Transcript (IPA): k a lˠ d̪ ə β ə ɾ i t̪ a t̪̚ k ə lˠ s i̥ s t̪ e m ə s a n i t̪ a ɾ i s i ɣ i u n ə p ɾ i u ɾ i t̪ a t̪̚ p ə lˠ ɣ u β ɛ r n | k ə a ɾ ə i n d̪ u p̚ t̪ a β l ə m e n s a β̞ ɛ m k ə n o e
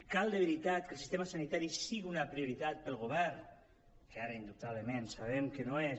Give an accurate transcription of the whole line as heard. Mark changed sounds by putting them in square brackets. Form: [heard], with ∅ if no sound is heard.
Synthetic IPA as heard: k a lˠ d̪ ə β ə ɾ i t̪ a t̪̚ k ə lˠ s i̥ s t̪ e m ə s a n i t̪ a ɾ i s i ɣ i u n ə p ɾ i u ɾ i t̪ a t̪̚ p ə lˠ ɣ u β ɛ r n | k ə a ɾ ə i n d̪ u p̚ t̪ a β l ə m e n s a β̞ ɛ m k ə n o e

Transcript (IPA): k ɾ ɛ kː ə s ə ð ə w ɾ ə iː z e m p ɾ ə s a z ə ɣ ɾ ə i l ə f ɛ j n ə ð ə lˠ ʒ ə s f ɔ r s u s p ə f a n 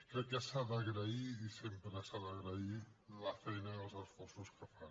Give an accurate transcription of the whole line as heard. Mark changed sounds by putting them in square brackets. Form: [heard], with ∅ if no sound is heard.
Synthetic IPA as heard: k ɾ ɛ kː ə s [a] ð ə [ɣ] ɾ ə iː [s] e m p ɾ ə s a [ð] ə ɣ ɾ ə i l ə f ɛ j n ə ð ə lˠ [z] ə s f ɔ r s u s [k] ə f a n

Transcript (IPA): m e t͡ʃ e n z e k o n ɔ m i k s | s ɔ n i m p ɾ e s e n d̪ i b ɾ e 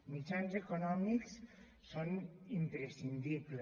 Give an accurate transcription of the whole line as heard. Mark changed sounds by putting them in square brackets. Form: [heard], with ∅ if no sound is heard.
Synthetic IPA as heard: m [i] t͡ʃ [a] n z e k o n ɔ m i k s | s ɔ n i m p ɾ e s [i] n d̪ i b [l] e

